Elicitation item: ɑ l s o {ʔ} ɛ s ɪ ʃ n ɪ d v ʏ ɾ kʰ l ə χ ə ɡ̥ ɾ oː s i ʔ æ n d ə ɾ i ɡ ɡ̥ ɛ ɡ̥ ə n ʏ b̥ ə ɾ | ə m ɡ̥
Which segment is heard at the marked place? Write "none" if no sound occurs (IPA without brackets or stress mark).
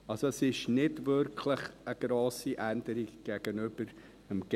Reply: none